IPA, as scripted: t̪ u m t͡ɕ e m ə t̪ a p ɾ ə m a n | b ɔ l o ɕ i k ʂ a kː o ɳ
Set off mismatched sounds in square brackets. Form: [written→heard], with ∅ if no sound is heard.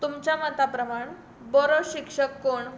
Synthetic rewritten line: t̪ u m t͡ɕ [e→a] m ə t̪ a p ɾ ə m a [n→ɳ] | b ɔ [l→ɾ] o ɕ i k ʂ [a→ə] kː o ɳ